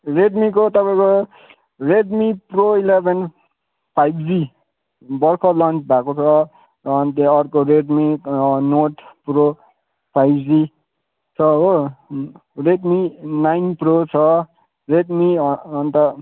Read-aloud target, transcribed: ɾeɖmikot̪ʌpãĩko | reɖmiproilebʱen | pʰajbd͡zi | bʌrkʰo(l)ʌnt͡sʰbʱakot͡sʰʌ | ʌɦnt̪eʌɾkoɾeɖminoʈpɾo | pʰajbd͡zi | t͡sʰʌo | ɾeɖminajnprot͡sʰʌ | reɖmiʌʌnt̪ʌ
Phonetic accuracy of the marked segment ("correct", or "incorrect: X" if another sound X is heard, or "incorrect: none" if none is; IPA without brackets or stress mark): correct